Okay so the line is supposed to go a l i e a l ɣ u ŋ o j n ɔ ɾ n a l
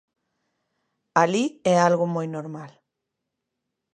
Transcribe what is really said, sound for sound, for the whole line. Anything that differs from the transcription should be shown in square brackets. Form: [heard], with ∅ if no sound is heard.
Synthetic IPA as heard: a l i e a l ɣ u [m] o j n [o] ɾ [m] a l